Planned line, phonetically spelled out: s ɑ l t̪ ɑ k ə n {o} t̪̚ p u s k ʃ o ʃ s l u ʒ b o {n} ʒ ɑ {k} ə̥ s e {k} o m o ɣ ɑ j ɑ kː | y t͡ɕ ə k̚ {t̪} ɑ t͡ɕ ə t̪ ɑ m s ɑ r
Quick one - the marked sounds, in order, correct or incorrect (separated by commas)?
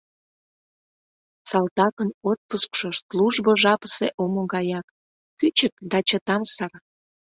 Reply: correct, incorrect, incorrect, incorrect, incorrect